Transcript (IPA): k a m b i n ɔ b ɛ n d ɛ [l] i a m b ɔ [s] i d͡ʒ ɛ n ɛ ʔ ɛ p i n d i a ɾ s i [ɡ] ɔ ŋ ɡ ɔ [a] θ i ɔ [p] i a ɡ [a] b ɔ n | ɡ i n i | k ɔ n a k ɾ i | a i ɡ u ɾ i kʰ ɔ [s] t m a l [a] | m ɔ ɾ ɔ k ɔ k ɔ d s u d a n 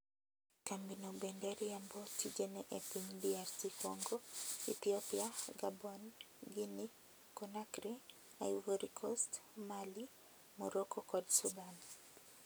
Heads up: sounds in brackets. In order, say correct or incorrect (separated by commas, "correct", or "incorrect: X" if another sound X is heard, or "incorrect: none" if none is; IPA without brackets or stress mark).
incorrect: ɾ, incorrect: t, incorrect: k, incorrect: i, correct, correct, correct, incorrect: i